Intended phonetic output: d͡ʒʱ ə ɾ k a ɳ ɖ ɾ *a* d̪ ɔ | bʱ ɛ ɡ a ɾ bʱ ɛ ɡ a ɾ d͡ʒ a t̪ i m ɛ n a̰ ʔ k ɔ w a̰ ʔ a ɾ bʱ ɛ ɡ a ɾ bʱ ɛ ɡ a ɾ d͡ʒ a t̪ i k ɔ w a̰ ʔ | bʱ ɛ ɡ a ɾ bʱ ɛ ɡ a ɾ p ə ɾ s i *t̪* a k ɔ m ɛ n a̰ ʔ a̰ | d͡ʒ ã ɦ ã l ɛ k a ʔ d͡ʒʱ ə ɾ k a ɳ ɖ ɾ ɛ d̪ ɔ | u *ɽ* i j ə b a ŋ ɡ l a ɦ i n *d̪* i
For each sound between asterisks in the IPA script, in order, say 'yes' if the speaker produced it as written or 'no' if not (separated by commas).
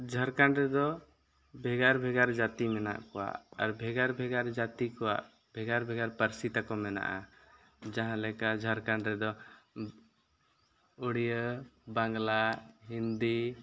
no, yes, yes, yes